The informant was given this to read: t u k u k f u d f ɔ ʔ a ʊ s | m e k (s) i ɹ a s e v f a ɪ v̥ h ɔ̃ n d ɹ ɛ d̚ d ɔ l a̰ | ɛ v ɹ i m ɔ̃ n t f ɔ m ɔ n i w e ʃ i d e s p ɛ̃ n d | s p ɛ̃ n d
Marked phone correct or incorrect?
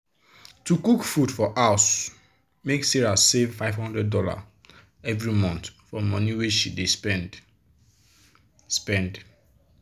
correct